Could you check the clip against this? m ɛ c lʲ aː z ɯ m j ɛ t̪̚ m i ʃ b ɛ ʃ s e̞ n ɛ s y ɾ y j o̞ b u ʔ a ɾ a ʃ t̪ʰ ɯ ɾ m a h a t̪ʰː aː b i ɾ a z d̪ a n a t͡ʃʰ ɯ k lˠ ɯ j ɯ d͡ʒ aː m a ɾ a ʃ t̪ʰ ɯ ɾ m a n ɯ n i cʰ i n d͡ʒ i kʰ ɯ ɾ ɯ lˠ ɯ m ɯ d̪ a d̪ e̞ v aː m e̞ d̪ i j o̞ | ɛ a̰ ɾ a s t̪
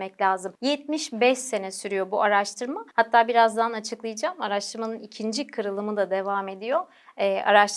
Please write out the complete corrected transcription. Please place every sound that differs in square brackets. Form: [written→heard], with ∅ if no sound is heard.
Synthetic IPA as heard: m ɛ c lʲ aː z ɯ m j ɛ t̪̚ m i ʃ b ɛ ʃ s e̞ n ɛ s y ɾ y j o̞ b u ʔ a ɾ a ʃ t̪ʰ ɯ ɾ m a h a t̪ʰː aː b i ɾ a z d̪ a n a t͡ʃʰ ɯ k lˠ ɯ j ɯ d͡ʒ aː m a ɾ a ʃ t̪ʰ ɯ ɾ m a n ɯ n i cʰ i n d͡ʒ i kʰ ɯ ɾ ɯ lˠ ɯ m ɯ d̪ a d̪ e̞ v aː m e̞ d̪ i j o̞ | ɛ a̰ ɾ a [s→ʃ] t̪